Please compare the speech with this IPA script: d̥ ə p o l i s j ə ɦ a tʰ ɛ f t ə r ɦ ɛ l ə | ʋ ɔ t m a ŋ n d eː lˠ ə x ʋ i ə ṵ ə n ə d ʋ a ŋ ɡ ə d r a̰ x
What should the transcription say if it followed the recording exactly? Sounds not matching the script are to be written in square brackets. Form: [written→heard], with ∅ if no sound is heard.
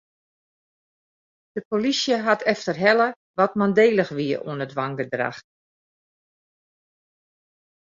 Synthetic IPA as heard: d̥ ə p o l i s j ə ɦ a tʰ ɛ f t ə r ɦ ɛ l ə | ʋ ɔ t m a [ŋ→∅] n d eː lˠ ə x ʋ i ə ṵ ə n ə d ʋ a ŋ ɡ ə d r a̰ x